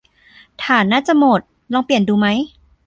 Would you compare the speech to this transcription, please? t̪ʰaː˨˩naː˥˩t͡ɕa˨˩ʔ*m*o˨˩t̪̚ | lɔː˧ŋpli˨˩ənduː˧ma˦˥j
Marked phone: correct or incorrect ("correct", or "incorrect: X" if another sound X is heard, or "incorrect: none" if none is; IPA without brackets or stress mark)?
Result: correct